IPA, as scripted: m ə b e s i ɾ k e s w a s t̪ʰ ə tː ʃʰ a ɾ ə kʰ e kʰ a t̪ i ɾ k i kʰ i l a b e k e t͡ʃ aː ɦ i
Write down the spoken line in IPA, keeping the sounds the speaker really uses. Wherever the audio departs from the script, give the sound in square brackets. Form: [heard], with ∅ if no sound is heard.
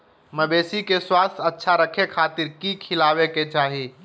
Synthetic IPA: m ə b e s i [∅] k e s w a s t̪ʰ ə tː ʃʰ a ɾ ə kʰ e kʰ a t̪ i ɾ k i kʰ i l a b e k e t͡ʃ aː ɦ i